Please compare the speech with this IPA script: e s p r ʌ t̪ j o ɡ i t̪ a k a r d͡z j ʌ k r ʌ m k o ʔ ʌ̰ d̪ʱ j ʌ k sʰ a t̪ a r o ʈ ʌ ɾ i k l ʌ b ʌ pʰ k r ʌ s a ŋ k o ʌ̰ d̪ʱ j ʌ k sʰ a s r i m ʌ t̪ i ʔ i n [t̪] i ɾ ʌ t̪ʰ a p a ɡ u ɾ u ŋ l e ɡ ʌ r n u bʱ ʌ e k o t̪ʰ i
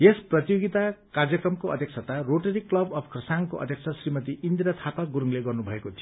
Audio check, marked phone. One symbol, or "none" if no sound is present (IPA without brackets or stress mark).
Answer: d̪